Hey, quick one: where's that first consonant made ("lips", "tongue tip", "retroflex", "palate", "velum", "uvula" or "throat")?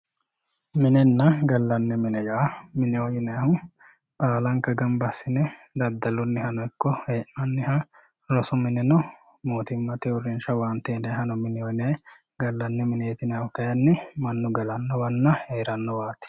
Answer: lips